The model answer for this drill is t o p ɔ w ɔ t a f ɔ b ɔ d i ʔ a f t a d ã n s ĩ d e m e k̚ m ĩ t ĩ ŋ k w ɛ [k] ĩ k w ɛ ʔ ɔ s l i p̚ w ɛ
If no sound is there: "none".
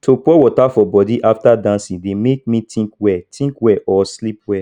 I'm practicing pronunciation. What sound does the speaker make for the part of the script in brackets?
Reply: t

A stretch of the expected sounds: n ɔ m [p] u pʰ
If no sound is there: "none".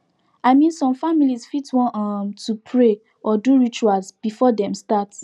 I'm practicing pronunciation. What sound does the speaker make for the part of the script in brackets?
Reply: t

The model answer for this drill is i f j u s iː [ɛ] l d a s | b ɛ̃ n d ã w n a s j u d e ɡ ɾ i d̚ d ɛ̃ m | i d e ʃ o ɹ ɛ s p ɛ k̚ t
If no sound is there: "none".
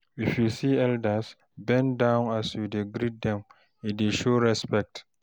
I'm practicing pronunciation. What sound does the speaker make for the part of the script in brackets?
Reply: ɛ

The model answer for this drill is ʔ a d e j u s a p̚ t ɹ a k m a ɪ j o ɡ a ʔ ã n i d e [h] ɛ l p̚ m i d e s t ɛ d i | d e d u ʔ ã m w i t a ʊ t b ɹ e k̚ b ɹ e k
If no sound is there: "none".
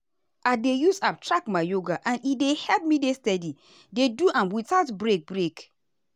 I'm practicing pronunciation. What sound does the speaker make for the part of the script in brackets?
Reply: h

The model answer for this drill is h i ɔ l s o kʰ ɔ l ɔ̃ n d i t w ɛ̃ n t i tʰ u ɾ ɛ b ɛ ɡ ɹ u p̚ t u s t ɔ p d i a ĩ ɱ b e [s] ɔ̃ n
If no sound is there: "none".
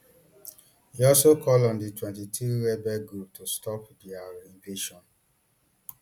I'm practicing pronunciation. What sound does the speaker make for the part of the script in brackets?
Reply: ʃ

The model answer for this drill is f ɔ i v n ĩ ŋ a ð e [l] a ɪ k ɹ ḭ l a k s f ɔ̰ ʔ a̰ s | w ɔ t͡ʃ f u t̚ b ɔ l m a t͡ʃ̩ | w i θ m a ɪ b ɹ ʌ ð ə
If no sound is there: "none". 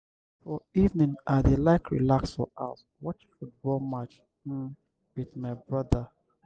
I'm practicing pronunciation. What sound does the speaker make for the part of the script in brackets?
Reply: l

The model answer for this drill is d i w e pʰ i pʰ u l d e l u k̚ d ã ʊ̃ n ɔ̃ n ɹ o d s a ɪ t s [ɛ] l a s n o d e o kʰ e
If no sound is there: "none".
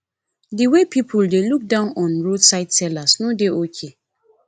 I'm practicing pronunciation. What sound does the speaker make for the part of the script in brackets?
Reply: ɛ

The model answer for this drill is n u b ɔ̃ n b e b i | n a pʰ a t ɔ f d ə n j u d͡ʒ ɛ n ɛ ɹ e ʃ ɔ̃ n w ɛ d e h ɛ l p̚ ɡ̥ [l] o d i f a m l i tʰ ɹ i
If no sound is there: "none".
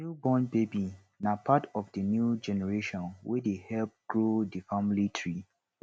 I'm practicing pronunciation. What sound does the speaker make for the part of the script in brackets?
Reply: ɹ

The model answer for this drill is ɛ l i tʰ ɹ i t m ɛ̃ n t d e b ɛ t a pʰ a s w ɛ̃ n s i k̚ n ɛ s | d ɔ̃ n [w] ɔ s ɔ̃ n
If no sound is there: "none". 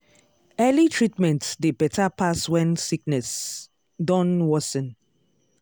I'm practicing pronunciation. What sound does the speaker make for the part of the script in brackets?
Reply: w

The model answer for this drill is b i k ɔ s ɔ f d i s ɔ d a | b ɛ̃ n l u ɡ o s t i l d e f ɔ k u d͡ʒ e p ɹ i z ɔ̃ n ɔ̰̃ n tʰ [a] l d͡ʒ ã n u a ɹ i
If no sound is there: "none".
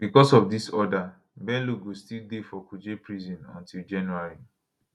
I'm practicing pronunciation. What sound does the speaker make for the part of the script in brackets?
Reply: i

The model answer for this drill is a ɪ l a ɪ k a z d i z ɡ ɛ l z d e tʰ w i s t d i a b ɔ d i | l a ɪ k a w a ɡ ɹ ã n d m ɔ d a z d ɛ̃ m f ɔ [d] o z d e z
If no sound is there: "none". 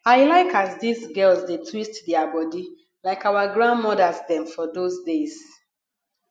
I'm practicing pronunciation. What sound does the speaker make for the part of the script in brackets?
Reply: d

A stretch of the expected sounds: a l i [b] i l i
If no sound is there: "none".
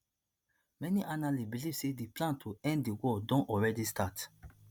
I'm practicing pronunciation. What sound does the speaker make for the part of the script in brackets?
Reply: b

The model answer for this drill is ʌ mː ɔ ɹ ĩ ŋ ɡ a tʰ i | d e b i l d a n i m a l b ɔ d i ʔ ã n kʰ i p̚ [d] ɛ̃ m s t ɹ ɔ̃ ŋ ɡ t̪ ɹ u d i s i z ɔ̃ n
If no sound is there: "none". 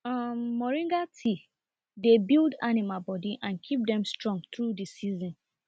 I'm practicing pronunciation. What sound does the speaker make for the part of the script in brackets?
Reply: d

